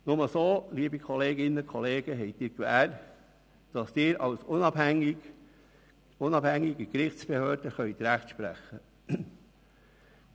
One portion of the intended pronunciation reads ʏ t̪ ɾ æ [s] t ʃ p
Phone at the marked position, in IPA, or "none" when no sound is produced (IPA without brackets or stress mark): χ